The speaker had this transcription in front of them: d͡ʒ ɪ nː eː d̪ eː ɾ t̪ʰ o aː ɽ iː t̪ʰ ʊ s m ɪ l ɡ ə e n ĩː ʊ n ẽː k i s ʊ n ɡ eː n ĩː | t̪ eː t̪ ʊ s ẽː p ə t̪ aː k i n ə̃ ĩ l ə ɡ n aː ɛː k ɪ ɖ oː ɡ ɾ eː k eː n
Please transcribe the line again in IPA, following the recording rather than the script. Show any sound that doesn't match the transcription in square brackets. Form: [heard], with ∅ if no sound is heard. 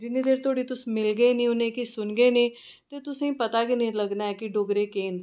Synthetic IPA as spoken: d͡ʒ ɪ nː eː d̪ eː ɾ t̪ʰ o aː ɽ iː [t̪] ʊ s m ɪ l ɡ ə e n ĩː ʊ n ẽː k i s ʊ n ɡ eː n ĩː | t̪ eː t̪ ʊ s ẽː p ə t̪ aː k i n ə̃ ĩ l ə ɡ n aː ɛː k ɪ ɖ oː ɡ ɾ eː k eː n